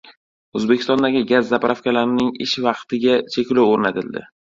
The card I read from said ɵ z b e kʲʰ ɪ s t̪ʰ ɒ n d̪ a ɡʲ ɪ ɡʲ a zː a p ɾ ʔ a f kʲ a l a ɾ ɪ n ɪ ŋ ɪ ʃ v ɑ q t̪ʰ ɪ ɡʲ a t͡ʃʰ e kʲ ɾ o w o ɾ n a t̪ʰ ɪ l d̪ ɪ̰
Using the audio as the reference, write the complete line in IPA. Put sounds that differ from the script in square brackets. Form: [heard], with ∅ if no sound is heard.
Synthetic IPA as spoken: ɵ z b e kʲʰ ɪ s [t̪] ɒ n d̪ a ɡʲ ɪ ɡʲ a zː a p ɾ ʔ a f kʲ a l a ɾ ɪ n ɪ ŋ ɪ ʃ v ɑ q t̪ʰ ɪ ɡʲ a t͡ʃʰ e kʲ [l] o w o ɾ n a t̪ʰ ɪ l d̪ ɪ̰